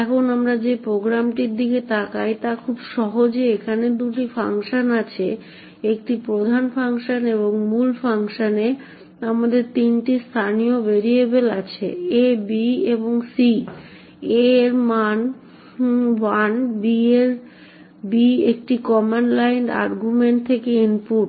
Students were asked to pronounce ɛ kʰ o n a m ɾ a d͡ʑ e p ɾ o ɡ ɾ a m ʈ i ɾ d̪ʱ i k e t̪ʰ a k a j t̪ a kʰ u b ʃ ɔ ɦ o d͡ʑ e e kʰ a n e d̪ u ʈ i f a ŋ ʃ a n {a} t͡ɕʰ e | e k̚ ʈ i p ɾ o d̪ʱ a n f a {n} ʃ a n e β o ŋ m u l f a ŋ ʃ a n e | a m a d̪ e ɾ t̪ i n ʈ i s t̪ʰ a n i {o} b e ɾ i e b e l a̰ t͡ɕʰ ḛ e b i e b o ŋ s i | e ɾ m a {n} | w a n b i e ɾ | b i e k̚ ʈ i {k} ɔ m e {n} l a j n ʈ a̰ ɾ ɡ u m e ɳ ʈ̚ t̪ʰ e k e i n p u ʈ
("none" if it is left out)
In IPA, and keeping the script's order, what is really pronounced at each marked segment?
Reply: a, ŋ, o, n, k, n

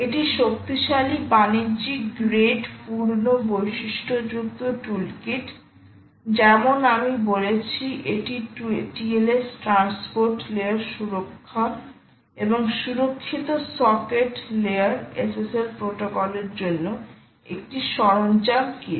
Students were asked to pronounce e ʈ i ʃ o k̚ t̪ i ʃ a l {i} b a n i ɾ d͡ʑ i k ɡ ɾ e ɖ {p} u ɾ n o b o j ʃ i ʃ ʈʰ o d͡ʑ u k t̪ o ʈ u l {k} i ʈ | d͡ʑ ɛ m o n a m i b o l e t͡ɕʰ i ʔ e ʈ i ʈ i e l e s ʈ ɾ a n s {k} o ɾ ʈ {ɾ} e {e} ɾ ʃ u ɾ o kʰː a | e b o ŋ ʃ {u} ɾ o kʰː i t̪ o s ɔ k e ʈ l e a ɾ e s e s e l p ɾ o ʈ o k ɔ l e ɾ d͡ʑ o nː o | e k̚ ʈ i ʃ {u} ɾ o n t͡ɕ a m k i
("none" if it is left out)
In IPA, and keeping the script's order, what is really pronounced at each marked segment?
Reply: i, p, k, p, l, a, u, ɔ

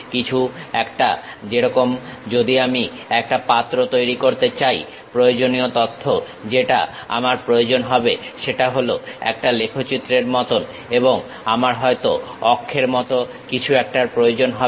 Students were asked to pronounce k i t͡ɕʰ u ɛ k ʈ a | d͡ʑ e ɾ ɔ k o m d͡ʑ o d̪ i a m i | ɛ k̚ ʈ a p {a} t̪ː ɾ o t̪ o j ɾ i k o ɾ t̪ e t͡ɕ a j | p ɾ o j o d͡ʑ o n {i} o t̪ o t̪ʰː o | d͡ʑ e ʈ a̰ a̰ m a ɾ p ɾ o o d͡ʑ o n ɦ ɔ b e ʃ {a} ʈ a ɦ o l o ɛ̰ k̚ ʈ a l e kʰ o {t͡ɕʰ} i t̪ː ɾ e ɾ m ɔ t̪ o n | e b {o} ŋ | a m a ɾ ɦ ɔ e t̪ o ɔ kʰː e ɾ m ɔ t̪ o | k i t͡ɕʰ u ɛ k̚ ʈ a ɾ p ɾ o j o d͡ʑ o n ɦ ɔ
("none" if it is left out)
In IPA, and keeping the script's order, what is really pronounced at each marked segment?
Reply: a, i, e, t͡ɕ, o

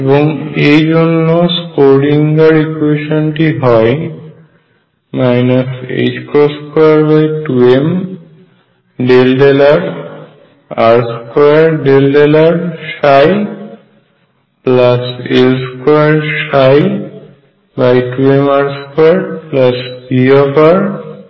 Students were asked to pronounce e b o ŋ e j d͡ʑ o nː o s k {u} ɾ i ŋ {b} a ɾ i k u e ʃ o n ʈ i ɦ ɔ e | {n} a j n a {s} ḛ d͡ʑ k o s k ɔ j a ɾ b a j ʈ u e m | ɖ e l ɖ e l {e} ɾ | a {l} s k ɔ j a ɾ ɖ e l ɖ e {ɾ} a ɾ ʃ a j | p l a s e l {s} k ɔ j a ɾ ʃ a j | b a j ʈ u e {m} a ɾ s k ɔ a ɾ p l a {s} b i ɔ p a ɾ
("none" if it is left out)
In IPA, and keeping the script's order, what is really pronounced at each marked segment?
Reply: o, ɡ, m, s, a, ɾ, l, s, m, s

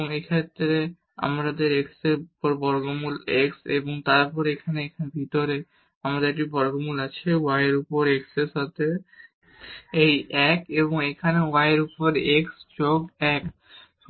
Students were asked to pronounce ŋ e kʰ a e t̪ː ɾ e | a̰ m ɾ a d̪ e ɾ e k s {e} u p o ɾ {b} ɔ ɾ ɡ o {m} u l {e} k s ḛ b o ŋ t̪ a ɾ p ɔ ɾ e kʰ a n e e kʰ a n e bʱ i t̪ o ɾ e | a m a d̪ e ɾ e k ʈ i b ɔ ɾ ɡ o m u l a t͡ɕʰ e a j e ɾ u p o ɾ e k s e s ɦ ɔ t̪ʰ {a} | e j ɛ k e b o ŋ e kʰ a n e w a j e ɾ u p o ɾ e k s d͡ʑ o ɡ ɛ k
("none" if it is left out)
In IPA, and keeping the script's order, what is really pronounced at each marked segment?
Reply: e, b, m, e, e

